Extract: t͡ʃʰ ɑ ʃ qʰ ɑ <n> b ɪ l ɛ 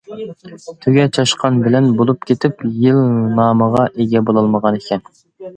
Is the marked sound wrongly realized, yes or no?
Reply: no